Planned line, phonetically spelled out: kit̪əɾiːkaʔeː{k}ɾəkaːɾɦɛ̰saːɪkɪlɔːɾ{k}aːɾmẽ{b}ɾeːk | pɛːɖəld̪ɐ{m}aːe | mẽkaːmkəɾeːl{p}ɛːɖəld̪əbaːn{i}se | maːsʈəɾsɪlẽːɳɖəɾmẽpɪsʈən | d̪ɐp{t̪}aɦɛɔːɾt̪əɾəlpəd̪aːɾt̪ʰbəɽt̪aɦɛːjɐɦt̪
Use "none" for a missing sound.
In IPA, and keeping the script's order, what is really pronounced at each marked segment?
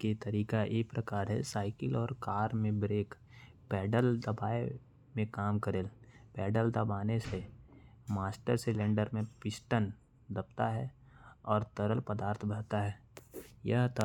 p, k, b, b, p, e, t̪

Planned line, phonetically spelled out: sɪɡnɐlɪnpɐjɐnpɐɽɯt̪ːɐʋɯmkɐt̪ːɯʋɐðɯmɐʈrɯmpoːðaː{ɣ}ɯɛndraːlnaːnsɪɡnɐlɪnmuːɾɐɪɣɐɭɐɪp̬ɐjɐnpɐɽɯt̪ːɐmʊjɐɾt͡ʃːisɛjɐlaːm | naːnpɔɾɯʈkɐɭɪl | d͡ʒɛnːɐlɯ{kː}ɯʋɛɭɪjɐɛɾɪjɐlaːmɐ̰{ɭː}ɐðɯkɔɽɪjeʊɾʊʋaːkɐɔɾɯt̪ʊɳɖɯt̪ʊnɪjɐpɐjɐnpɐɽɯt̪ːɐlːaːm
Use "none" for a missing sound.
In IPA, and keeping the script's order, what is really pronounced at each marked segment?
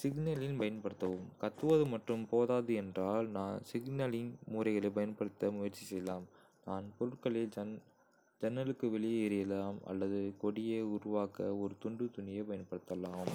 ð, kː, lː

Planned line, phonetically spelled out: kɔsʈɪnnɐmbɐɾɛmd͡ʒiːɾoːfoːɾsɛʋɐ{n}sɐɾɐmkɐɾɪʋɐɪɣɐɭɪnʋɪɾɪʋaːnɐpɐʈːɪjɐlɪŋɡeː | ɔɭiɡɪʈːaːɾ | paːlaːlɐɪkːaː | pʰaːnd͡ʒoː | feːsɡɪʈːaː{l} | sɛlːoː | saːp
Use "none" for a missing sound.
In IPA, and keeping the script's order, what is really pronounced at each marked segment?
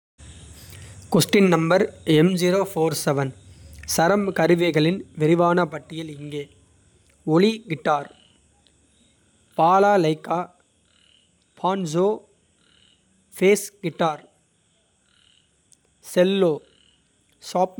n, ɾ

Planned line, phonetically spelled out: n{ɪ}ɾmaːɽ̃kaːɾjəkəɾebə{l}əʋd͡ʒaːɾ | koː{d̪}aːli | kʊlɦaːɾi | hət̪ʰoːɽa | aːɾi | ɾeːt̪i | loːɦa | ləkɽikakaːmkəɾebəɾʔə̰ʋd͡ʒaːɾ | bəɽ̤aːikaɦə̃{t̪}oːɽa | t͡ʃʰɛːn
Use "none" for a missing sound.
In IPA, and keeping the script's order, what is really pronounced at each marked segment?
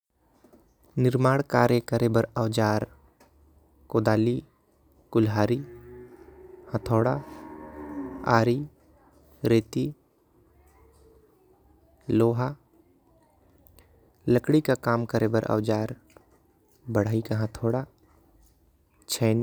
ɪ, ɾ, d̪, t̪ʰ

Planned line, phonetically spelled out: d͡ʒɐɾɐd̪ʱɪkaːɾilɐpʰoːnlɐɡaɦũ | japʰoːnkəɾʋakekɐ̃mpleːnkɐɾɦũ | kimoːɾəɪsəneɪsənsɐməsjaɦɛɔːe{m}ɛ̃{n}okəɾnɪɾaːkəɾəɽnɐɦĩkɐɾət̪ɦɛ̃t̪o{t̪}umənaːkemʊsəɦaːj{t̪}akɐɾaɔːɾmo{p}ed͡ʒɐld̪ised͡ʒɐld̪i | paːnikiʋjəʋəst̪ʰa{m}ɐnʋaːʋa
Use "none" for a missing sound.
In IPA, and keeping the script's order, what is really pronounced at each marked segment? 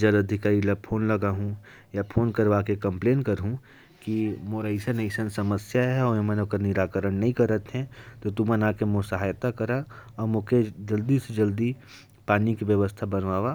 m, n, t̪, t̪, k, b

